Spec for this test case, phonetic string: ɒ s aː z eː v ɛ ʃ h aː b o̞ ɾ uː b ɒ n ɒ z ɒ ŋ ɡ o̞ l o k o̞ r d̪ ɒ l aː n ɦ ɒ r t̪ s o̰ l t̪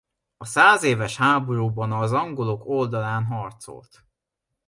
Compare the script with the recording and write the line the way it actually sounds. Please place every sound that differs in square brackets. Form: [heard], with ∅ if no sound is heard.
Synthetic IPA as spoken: ɒ s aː z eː v ɛ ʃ h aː b o̞ ɾ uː b ɒ n ɒ z ɒ ŋ ɡ o̞ l o k o̞ [l] d̪ ɒ l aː n ɦ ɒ r t̪ s o̰ l t̪